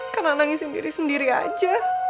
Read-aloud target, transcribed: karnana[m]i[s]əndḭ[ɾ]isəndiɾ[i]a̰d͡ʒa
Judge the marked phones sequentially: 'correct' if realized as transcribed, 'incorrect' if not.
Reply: incorrect: ŋ, correct, correct, correct

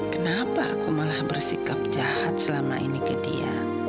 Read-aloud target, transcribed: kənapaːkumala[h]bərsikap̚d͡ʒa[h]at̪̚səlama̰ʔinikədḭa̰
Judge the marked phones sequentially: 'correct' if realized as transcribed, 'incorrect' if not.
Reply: correct, correct

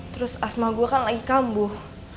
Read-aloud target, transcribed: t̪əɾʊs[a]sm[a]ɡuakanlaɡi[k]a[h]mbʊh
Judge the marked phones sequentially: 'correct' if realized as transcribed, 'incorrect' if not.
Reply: correct, correct, correct, incorrect: none

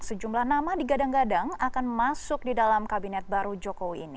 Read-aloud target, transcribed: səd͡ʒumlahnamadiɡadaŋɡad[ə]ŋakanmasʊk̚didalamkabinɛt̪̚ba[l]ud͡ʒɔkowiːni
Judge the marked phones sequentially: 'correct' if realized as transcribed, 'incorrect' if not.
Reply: incorrect: a, incorrect: ɾ

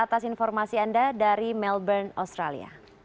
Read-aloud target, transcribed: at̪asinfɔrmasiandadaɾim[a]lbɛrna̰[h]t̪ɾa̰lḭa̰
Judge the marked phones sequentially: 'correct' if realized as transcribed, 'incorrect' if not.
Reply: incorrect: ɛ, incorrect: s

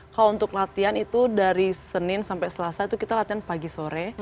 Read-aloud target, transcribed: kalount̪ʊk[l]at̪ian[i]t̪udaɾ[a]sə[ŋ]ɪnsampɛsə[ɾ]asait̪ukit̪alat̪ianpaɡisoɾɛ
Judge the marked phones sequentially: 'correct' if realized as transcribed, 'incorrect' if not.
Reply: correct, correct, incorrect: i, incorrect: n, incorrect: l

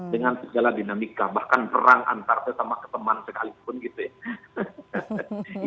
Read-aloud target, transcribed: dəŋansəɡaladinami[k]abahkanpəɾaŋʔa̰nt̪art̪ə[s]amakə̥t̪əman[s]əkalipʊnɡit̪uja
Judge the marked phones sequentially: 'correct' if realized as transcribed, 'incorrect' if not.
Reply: correct, correct, correct

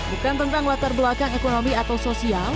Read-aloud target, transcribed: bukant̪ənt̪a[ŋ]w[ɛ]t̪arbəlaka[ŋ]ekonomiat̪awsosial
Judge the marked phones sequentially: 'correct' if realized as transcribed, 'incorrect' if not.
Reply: correct, incorrect: a, correct

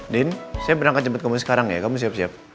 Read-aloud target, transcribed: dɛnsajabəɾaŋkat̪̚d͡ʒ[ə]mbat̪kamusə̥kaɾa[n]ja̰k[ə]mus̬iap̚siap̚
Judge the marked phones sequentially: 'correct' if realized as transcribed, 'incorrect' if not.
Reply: correct, incorrect: ŋ, incorrect: a

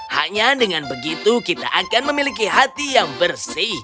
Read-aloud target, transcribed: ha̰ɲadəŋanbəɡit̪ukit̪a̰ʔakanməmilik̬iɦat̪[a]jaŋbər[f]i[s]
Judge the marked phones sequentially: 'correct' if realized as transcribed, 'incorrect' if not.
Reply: incorrect: i, incorrect: s, incorrect: h

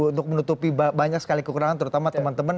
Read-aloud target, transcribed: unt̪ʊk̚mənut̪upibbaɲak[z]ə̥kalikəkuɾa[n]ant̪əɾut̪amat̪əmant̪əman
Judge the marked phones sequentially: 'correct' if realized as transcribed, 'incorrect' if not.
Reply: incorrect: s, incorrect: ŋ

